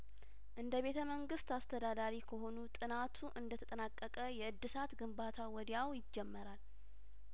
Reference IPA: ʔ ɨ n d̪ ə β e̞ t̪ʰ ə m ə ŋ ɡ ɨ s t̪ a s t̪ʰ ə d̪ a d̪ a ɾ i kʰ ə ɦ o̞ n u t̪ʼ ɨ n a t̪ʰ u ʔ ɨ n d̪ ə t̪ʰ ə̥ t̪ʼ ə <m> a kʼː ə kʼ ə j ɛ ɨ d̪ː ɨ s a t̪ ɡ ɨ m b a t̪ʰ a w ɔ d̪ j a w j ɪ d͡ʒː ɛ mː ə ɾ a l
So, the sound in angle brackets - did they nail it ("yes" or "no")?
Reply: no